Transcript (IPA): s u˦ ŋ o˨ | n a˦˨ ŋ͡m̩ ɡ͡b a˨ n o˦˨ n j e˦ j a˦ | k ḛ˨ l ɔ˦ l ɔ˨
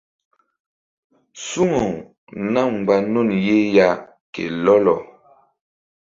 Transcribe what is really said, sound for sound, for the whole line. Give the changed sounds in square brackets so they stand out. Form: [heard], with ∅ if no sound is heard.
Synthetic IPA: s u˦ ŋ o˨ | n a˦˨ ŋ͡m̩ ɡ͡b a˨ n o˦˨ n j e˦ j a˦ | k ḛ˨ l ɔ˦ l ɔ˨